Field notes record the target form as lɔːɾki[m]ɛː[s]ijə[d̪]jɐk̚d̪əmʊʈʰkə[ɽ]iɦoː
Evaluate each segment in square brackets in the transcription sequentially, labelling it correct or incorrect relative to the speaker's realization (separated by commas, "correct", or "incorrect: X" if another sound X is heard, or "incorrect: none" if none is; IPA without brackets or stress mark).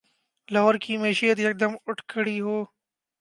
correct, incorrect: ʃ, incorrect: t̪, correct